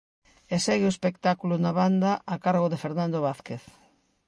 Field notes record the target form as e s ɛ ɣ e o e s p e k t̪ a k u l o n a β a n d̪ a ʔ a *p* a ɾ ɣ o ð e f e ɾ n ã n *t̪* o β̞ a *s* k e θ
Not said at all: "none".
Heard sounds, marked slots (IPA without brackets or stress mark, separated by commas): k, d̪, θ